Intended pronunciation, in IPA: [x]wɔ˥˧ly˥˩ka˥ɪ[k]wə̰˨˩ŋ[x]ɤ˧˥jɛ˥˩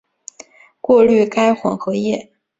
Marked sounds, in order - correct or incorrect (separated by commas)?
incorrect, incorrect, correct